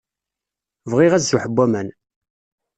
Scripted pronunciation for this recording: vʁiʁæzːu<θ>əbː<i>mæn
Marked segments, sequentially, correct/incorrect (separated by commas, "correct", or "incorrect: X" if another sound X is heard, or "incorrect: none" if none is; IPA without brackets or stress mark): incorrect: ħ, incorrect: æ